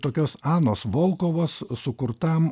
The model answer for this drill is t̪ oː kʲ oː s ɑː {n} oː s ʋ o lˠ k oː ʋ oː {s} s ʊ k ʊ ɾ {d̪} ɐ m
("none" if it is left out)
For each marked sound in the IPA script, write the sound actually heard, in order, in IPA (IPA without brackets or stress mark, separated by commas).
n, s, t̪